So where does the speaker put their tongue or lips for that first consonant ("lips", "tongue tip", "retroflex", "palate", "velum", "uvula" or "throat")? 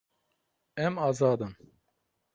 lips